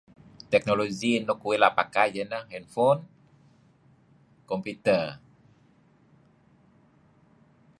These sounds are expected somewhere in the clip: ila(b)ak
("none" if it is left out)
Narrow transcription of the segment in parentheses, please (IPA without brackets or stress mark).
p